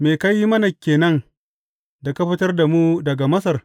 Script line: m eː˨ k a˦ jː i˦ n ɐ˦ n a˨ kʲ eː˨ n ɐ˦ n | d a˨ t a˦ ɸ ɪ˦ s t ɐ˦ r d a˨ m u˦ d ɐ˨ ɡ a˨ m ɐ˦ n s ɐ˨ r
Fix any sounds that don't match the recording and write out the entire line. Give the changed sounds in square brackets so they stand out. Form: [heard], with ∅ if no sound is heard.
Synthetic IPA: m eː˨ k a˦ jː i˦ [m] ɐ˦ n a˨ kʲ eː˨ n ɐ˦ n | d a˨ [k] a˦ ɸ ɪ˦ [∅] t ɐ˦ r d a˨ m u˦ d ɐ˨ ɡ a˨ m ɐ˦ [∅] s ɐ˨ r

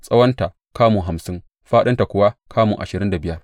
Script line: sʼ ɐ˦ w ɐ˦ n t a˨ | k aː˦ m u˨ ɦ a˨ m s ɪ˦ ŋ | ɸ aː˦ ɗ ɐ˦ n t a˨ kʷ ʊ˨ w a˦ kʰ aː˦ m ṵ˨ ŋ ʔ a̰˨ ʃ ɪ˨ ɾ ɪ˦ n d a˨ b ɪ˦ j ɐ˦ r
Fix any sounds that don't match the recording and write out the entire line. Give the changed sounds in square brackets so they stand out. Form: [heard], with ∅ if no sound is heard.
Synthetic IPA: sʼ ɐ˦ w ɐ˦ n t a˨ | k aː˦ m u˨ ɦ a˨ m s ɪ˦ ŋ | ɸ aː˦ ɗ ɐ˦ n t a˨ kʷ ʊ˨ w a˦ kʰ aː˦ m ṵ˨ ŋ ʔ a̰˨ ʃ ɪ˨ ɾ ɪ˦ n d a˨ b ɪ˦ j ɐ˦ r

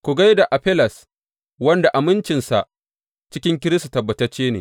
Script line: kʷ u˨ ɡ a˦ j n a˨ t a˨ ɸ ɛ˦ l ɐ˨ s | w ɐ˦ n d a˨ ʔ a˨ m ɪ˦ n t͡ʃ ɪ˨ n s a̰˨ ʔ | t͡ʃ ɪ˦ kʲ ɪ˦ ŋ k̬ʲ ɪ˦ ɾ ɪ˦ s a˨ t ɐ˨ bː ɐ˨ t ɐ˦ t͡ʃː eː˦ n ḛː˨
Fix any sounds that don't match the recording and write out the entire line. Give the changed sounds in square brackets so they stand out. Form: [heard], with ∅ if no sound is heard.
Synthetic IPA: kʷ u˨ ɡ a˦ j [d] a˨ [ʔ] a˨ ɸ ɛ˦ l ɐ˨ s | w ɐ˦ n d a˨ ʔ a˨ m ɪ˦ n t͡ʃ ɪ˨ n s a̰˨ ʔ | t͡ʃ ɪ˦ kʲ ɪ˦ ŋ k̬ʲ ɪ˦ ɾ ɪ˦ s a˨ t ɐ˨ bː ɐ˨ t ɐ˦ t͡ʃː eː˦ n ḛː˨

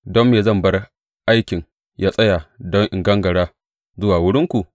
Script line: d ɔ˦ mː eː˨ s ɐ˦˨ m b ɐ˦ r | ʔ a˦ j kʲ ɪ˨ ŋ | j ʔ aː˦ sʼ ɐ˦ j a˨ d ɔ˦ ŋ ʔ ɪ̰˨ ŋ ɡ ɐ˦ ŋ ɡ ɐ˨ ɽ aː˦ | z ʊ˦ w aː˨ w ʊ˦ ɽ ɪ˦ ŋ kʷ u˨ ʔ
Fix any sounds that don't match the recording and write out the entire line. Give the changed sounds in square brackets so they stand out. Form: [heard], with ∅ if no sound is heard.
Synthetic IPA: d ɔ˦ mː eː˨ [z] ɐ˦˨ m b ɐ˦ r | ʔ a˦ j kʲ ɪ˨ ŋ | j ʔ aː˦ sʼ ɐ˦ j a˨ d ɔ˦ ŋ ʔ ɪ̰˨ ŋ ɡ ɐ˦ ŋ ɡ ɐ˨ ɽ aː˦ | z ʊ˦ w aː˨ w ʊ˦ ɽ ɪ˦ ŋ kʷ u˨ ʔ

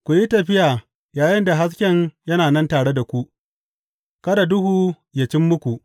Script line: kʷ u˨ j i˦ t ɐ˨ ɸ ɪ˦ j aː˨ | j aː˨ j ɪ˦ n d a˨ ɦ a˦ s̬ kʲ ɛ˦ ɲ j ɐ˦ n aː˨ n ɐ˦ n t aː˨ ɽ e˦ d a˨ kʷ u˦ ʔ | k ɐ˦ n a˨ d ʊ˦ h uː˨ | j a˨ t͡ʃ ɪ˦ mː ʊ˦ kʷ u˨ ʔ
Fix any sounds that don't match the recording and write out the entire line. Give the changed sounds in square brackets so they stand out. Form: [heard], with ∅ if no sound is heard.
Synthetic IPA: kʷ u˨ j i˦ t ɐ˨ ɸ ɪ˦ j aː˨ | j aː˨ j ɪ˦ n d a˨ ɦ a˦ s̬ kʲ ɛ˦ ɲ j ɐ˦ n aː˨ n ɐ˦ n t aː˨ ɽ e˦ d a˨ kʷ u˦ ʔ | k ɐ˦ [d] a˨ d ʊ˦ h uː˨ | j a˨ t͡ʃ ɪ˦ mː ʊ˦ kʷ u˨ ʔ

